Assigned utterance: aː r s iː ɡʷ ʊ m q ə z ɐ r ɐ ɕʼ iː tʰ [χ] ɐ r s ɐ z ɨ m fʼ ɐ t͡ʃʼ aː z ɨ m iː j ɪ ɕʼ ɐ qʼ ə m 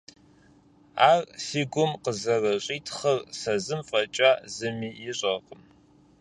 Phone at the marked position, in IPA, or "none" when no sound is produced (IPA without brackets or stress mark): χ